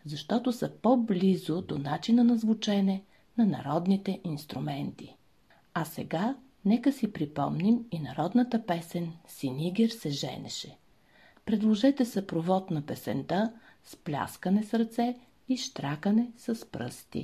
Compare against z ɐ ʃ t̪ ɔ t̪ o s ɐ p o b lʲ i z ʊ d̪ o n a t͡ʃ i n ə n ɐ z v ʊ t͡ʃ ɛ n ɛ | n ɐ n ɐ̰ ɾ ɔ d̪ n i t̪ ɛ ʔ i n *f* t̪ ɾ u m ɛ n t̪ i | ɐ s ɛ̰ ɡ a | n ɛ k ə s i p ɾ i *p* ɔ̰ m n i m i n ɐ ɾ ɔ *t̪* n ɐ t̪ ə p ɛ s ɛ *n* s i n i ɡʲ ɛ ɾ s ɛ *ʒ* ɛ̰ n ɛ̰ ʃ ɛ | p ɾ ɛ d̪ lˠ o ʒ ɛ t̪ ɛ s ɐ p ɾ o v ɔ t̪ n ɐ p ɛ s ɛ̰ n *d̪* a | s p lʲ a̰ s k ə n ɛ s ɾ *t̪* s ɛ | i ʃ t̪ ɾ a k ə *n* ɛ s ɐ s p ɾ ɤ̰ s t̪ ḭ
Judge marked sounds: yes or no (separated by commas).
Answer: no, yes, no, yes, yes, no, yes, yes